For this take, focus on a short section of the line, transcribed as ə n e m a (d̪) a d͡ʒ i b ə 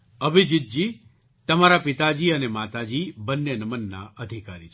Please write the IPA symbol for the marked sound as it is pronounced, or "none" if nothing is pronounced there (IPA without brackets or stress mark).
t̪